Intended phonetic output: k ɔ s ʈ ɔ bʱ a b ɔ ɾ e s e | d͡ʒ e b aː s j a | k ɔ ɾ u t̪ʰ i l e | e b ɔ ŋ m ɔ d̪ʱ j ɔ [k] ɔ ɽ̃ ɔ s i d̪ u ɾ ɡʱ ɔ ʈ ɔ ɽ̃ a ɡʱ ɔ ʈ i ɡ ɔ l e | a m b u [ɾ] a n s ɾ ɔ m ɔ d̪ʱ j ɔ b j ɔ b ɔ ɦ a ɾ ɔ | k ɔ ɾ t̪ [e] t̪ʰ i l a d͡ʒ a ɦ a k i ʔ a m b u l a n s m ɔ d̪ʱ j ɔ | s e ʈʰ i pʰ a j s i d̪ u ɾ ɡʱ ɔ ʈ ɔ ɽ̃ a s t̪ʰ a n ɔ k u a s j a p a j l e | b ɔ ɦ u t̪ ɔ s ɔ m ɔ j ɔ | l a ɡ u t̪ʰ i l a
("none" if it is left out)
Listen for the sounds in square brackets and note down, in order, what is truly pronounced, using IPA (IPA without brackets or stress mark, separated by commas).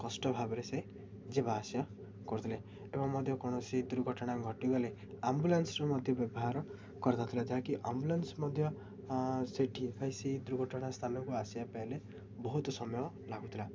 k, l, a